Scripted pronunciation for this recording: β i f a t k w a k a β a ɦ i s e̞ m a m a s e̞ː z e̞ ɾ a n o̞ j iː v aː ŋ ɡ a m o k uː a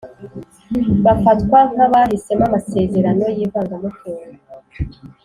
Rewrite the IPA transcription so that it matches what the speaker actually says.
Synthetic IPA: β a f a t k w a k a β a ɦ i s e̞ m a m a s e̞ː z e̞ ɾ a n o̞ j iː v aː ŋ ɡ a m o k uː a